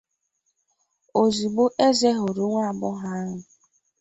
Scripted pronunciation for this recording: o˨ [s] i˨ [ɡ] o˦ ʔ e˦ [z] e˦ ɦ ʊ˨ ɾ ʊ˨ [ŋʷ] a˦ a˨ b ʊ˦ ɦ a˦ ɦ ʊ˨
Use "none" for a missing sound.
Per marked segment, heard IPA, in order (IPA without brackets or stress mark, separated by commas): z, ɡ͡b, z, ŋʷ